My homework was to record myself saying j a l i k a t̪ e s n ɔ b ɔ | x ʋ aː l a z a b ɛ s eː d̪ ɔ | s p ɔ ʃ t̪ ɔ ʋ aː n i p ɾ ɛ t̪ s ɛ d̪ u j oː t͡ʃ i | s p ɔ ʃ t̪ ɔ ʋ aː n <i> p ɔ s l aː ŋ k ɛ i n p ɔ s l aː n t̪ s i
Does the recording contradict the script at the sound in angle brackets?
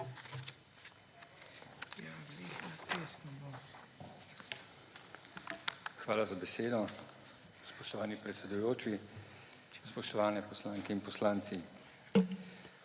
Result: yes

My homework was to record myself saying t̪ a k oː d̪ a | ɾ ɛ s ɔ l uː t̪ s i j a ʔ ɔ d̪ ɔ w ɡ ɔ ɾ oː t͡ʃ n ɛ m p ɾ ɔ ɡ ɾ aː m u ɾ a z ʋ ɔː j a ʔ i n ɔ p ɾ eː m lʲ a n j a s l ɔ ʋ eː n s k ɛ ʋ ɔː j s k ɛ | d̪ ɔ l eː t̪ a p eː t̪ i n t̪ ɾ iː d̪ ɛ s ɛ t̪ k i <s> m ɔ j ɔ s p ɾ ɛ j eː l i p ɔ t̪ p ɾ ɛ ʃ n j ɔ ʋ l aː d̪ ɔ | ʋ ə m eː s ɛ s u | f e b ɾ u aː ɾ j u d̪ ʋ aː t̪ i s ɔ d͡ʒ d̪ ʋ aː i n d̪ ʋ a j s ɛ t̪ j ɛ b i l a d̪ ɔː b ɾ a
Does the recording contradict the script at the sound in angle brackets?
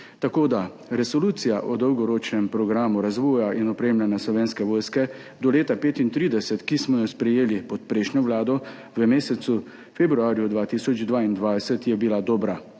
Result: no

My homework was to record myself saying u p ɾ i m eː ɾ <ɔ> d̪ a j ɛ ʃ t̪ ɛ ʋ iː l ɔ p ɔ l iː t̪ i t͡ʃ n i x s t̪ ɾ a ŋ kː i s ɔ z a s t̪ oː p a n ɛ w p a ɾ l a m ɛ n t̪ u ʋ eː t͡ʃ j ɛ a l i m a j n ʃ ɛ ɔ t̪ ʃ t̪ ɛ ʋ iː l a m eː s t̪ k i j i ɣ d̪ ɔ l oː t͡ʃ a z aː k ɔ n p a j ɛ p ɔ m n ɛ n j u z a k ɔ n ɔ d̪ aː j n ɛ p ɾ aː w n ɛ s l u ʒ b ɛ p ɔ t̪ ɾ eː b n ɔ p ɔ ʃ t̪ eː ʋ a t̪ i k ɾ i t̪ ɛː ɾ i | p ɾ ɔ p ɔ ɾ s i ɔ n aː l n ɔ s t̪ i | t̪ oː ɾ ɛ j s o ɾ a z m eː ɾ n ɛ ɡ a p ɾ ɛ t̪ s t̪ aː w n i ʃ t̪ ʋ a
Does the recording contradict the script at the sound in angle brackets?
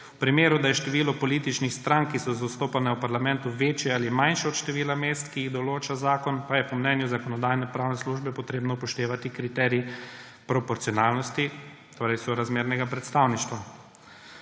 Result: yes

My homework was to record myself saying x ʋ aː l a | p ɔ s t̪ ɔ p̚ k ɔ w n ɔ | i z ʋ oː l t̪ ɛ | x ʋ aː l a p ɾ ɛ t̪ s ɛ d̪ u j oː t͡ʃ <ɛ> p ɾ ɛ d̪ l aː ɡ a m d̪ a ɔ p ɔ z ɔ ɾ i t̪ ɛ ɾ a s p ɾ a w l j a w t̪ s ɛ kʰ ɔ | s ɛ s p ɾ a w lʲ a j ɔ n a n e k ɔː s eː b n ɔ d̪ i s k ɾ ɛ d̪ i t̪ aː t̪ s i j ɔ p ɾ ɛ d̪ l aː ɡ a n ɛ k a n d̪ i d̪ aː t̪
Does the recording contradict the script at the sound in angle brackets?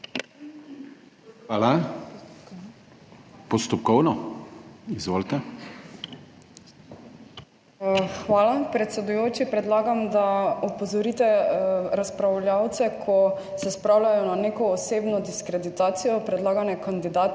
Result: yes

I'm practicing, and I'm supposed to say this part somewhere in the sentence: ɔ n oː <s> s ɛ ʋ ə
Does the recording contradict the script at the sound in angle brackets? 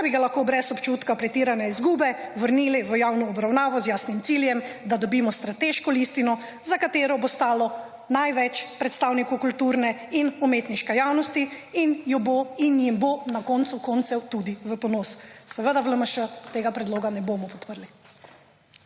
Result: no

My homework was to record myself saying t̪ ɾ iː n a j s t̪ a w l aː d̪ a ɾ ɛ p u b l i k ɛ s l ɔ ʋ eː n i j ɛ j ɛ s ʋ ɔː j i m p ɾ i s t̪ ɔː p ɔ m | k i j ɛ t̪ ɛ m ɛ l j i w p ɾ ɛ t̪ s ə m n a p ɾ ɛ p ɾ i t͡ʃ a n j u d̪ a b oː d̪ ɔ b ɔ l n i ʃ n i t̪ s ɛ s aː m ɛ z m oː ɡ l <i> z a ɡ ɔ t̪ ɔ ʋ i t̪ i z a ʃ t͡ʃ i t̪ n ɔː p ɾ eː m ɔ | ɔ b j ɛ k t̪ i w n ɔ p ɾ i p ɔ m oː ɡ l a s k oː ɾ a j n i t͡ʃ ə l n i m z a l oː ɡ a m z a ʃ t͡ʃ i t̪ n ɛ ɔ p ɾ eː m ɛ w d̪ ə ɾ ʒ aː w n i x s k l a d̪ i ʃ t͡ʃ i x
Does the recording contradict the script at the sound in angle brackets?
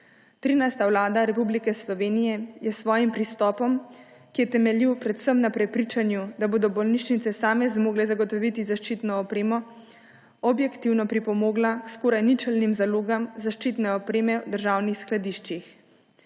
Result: yes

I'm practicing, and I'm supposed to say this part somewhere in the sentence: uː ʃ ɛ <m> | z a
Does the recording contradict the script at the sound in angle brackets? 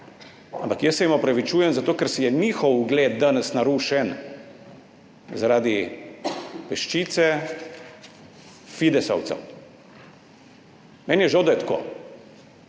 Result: yes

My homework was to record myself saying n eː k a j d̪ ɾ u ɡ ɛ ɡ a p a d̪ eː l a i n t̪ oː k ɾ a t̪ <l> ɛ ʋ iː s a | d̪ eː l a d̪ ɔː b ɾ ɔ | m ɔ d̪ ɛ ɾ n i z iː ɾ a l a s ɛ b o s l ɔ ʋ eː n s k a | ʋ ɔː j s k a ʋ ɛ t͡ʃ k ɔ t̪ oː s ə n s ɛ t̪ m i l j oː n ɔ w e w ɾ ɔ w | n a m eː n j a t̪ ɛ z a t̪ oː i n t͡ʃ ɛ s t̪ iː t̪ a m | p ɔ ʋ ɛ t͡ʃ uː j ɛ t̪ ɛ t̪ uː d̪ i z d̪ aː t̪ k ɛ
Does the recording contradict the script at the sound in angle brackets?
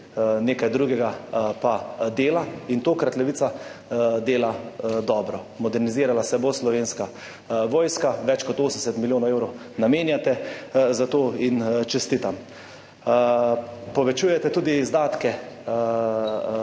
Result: no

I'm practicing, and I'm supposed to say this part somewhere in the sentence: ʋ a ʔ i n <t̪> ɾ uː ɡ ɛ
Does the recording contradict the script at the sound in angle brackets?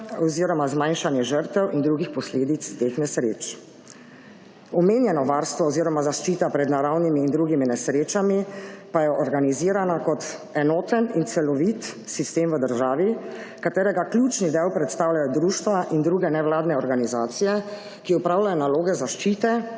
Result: yes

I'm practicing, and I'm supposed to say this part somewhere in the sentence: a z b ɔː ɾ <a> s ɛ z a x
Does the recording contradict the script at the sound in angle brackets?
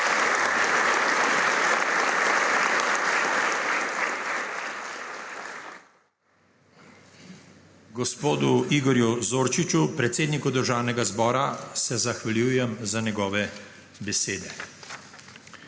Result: no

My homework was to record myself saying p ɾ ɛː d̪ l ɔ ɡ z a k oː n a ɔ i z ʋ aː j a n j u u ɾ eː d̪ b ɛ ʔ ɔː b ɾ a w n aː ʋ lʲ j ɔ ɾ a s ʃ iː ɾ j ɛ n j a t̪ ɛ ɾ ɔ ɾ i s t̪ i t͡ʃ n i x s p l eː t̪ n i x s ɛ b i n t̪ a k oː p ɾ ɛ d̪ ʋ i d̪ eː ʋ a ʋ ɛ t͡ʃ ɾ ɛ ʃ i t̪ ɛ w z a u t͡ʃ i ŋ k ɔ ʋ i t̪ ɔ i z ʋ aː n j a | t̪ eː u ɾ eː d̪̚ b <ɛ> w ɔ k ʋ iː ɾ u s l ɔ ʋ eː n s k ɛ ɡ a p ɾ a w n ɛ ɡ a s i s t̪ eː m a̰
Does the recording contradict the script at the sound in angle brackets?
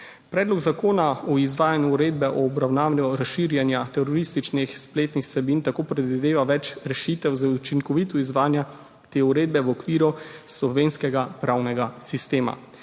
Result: no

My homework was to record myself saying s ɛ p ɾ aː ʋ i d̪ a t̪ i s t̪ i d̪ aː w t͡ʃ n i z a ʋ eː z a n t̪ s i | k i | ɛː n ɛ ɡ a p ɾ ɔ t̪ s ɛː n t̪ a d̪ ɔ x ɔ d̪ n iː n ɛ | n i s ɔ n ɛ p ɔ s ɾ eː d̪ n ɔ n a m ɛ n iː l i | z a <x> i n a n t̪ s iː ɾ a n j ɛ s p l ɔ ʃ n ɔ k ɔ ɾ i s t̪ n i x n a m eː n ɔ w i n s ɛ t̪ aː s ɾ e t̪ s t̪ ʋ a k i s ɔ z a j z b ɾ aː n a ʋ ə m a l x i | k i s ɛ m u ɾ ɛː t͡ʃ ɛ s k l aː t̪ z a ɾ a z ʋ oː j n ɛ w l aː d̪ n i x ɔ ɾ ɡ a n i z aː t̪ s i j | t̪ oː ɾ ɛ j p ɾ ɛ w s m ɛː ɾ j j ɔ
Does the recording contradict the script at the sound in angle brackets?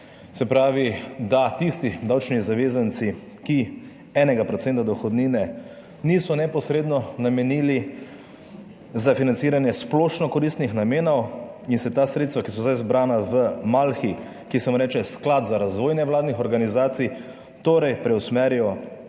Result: yes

